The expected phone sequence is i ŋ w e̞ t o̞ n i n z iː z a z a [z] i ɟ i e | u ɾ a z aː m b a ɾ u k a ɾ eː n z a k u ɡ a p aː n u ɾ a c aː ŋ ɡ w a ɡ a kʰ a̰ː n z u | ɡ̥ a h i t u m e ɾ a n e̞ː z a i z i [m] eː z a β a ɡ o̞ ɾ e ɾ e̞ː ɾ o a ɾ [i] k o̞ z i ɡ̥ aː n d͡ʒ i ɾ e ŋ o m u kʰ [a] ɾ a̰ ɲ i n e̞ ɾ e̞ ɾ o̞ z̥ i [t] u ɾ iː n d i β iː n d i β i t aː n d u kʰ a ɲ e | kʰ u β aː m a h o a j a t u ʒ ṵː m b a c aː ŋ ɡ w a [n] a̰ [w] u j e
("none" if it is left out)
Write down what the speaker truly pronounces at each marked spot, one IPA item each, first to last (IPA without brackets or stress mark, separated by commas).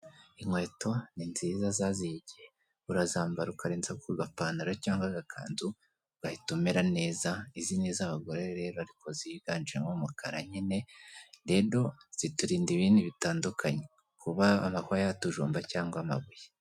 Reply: z, n, i, a, t, m, β